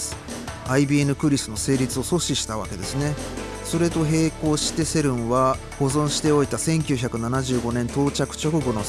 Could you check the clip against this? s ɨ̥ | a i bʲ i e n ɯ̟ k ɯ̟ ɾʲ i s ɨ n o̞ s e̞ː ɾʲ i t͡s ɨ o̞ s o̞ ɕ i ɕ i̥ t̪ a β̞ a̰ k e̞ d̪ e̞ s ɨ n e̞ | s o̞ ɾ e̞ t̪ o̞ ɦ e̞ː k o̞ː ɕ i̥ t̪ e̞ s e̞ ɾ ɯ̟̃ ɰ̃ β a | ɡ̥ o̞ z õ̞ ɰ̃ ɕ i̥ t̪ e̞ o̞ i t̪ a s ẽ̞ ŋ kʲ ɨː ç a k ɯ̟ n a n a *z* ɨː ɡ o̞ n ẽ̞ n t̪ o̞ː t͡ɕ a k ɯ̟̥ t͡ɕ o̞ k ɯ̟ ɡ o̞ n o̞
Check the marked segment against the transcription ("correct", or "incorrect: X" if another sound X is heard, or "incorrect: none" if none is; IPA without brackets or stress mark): incorrect: ʑ